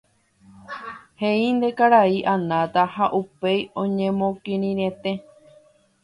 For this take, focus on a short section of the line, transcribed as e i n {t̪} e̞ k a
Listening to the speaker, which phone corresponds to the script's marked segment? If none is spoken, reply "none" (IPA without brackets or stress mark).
d̪